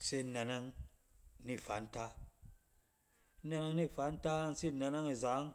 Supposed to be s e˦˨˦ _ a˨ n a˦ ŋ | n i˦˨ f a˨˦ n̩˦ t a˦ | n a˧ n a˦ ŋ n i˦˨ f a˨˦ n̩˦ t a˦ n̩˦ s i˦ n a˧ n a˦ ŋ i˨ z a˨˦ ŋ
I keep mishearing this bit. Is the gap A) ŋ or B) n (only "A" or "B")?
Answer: B